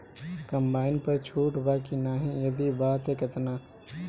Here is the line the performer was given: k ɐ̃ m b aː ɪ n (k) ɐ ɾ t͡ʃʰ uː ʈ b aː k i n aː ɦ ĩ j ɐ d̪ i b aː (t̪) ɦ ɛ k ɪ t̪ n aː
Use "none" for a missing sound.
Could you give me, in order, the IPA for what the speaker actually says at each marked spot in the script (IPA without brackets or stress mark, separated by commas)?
p, t̪